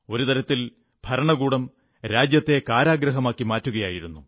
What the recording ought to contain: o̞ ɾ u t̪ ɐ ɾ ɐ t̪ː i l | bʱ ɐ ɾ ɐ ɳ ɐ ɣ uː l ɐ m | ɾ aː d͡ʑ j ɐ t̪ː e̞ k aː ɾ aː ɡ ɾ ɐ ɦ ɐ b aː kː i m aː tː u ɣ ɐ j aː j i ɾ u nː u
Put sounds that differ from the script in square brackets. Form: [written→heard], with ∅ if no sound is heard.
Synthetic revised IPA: o̞ ɾ u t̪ ɐ ɾ ɐ t̪ː i l | bʱ ɐ ɾ ɐ ɳ ɐ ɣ uː [l→ɽ] ɐ m | ɾ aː d͡ʑ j ɐ t̪ː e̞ k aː ɾ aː ɡ ɾ ɐ ɦ ɐ [b→m] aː kː i m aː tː u ɣ ɐ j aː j i ɾ u nː u